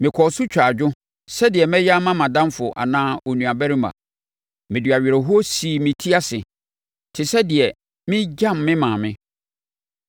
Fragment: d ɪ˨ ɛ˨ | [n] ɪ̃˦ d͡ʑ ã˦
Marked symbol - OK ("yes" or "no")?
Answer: no